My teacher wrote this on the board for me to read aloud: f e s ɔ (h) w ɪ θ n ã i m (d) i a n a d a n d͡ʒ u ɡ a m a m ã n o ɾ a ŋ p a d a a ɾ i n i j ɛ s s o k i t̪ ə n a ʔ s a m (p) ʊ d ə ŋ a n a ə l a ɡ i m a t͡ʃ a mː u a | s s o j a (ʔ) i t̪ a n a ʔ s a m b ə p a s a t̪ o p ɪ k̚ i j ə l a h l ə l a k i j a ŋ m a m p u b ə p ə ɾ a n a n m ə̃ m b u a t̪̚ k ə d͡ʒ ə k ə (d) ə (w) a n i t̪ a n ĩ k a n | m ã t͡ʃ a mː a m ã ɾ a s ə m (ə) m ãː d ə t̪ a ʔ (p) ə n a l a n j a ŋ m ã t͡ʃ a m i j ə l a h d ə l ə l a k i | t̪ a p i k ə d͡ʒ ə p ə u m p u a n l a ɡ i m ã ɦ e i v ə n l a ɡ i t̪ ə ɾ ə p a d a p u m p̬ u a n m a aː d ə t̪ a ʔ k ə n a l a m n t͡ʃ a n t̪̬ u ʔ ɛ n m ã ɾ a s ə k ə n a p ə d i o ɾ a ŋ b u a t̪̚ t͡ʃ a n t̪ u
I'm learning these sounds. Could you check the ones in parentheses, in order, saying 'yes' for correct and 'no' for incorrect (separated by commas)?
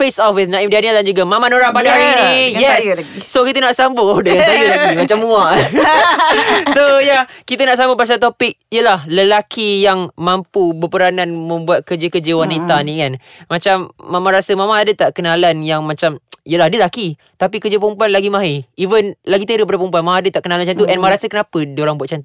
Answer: no, yes, no, no, no, yes, no, no